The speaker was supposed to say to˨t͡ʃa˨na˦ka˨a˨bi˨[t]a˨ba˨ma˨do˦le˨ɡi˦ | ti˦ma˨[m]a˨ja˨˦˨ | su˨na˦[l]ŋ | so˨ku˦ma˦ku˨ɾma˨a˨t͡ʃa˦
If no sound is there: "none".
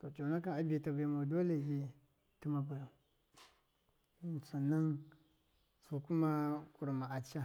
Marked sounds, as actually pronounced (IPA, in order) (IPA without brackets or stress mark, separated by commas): t, b, none